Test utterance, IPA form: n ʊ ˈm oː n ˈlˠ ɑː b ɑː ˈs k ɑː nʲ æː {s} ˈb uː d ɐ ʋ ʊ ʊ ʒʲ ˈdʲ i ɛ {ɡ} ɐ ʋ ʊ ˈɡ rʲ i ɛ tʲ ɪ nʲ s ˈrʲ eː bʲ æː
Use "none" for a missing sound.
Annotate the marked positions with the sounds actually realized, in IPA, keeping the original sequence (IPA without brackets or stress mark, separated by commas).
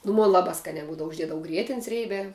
none, d